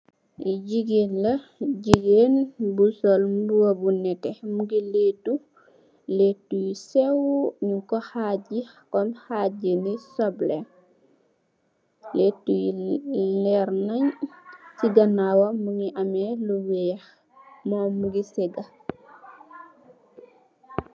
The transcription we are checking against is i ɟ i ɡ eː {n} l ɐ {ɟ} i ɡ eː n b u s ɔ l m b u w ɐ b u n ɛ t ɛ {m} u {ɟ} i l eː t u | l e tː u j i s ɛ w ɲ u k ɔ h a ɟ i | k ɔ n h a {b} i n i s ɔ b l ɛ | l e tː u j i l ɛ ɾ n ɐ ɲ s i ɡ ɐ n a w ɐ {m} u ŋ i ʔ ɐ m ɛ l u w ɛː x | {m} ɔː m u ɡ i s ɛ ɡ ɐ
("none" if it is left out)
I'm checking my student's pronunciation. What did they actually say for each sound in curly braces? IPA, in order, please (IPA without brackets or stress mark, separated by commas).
n, ɟ, m, ɡ, ɟ, m, m